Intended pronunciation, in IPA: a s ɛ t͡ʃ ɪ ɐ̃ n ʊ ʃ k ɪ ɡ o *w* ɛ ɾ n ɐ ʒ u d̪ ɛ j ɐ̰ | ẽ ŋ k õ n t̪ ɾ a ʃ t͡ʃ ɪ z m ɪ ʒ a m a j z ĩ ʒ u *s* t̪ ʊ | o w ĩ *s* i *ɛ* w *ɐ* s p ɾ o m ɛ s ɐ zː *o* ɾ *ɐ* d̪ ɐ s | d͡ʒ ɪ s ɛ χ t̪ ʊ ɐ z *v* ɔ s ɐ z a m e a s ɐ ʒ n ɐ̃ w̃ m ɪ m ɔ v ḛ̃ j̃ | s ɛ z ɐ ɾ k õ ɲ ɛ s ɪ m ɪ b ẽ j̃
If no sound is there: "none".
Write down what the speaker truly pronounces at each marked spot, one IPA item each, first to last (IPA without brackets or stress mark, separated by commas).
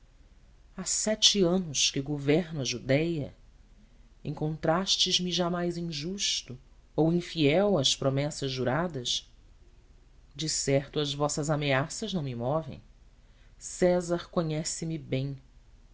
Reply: v, ʃ, f, ɛ, ɐ, u, a, v